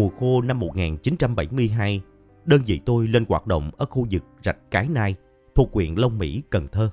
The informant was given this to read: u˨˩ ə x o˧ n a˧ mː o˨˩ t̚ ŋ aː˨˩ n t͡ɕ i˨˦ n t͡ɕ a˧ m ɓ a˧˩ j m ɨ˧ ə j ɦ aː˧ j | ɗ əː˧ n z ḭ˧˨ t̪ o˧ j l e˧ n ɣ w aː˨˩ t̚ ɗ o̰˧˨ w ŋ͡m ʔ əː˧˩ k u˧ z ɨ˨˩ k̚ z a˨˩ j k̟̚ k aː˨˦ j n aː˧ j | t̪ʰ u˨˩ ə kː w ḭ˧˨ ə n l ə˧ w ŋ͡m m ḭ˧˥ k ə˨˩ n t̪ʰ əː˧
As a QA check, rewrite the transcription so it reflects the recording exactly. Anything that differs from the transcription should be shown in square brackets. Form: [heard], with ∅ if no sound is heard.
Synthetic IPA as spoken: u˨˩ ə x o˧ n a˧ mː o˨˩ t̚ ŋ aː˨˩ n t͡ɕ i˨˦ n t͡ɕ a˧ m ɓ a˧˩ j m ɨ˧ ə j ɦ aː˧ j | ɗ əː˧ n z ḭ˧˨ t̪ o˧ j l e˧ n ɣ w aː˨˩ t̚ ɗ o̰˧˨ w ŋ͡m ʔ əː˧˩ [x] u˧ z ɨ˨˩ k̚ z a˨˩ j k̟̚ k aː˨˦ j n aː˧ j | t̪ʰ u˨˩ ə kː w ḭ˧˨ ə n l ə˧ w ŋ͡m m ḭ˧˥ k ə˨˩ n t̪ʰ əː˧